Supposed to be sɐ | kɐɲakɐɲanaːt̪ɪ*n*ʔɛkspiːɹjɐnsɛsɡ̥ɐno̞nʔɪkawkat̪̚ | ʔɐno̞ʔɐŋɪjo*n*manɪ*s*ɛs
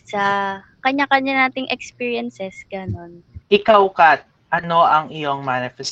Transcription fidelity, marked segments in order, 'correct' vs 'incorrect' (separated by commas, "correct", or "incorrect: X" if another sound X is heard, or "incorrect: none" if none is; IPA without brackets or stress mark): incorrect: ŋ, incorrect: ŋ, incorrect: f